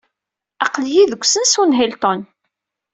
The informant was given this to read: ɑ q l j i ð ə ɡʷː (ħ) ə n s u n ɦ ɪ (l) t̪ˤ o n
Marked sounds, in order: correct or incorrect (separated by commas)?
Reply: incorrect, correct